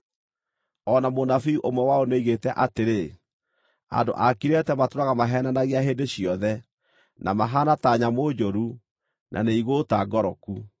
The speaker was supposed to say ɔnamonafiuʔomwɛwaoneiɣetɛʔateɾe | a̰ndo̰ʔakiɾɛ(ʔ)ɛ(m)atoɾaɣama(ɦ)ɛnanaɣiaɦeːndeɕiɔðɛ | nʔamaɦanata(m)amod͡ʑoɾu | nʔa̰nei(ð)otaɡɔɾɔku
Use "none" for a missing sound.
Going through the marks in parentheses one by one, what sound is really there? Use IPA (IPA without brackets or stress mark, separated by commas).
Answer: t, m, ɦ, ɲ, ɣ